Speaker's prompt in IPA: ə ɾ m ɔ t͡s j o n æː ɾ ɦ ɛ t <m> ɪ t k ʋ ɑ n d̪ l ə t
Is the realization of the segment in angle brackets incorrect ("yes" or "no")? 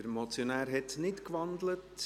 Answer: yes